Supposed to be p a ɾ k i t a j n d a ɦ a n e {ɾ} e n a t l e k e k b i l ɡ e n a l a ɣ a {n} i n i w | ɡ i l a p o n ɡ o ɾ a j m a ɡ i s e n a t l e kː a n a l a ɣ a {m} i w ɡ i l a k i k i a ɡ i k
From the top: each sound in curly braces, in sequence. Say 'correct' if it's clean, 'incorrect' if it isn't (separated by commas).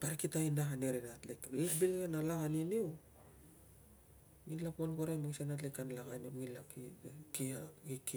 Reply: correct, correct, incorrect